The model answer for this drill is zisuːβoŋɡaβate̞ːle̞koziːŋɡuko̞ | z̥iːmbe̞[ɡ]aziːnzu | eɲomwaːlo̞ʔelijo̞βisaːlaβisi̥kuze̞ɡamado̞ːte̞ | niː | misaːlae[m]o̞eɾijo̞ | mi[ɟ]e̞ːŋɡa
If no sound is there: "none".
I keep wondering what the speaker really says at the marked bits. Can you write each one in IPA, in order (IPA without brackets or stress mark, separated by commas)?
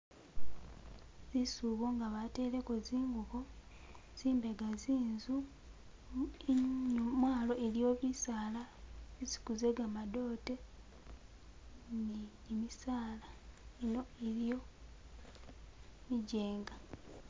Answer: ɡ, n, ɟ